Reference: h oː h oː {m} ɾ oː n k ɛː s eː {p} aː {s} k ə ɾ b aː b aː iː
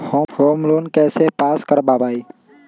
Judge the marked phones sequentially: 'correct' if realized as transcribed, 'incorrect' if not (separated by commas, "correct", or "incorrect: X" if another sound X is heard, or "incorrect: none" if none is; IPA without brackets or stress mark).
correct, correct, correct